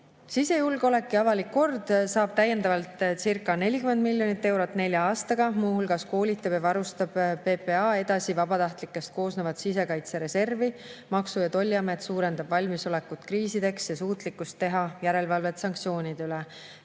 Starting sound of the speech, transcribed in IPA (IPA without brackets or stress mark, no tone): s